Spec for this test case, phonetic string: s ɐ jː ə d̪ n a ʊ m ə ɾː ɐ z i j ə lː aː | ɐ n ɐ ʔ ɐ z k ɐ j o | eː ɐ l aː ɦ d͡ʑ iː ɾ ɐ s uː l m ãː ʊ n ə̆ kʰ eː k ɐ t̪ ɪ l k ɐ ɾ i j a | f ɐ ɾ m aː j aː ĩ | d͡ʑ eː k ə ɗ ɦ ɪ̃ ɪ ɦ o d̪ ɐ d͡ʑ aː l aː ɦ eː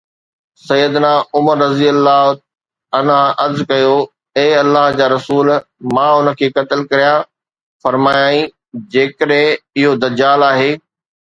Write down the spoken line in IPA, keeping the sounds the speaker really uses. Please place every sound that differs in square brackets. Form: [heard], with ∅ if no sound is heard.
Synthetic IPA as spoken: s ɐ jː ə d̪ n a ʊ m ə ɾː ɐ z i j ə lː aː | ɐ n [a] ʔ ɐ z k ɐ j o | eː ɐ [lː] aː ɦ d͡ʑ [aː] ɾ ɐ s uː l m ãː ʊ n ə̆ kʰ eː k ɐ t̪ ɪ l k ɐ ɾ i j a | f ɐ ɾ m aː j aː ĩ | d͡ʑ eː k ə ɗ ɦ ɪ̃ ɪ ɦ o d̪ ɐ d͡ʑ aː l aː ɦ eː